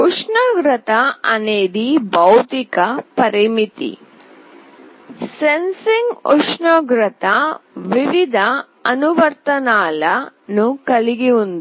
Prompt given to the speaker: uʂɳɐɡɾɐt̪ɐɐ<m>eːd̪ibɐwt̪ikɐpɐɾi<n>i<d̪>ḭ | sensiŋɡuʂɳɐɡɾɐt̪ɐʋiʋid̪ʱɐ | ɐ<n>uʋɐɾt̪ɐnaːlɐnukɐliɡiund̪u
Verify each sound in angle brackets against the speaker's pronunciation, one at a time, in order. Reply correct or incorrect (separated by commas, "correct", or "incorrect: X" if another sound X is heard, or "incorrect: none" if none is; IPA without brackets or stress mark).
incorrect: n, incorrect: m, incorrect: t̪, correct